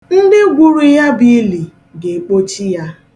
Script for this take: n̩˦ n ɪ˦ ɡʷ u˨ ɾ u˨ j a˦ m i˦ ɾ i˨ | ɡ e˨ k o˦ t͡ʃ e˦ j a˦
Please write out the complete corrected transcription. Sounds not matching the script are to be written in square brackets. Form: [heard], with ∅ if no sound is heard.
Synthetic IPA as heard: n̩˦ [d] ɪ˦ ɡʷ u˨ ɾ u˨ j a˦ [b] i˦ [l] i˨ | ɡ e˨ [k͡p] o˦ t͡ʃ [i˦] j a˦